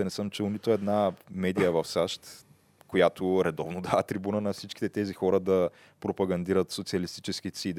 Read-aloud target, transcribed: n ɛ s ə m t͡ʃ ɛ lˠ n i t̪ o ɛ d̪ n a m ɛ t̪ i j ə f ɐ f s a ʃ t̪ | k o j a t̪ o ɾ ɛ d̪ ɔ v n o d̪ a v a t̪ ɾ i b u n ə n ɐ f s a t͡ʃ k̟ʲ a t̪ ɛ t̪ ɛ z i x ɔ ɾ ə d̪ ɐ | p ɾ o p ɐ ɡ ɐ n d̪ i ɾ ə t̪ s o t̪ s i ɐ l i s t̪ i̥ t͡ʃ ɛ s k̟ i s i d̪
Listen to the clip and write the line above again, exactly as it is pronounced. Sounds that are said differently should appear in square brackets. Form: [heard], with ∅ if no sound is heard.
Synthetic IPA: n ɛ s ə m t͡ʃ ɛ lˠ n i t̪ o ɛ d̪ n a m ɛ [d̪] i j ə [v] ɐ f s a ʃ t̪ | k o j a t̪ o ɾ ɛ d̪ ɔ v n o d̪ a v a t̪ ɾ i b u n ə n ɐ f s [i] t͡ʃ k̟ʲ [i] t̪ ɛ t̪ ɛ z i x ɔ ɾ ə d̪ ɐ | p ɾ o p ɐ ɡ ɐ n d̪ i ɾ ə t̪ s o t̪ s i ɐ l i s t̪ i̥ t͡ʃ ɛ s k̟ i s i d̪